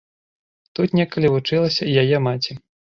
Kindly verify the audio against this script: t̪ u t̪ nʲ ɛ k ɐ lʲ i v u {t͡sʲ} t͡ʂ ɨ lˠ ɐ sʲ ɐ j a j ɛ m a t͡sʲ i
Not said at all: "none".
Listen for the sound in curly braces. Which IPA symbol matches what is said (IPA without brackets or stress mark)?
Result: none